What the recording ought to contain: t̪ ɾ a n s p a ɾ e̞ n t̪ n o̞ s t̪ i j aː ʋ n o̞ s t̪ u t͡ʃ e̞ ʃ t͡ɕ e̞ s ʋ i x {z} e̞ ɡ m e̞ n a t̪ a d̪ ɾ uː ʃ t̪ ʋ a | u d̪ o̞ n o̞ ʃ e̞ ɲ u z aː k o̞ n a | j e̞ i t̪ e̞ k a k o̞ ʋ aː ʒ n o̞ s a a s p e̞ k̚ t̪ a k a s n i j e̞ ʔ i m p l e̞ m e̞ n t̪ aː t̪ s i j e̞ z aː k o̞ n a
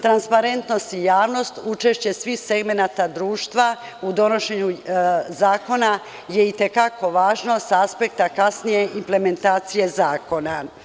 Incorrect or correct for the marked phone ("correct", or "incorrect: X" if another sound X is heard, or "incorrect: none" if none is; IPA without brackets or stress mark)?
incorrect: s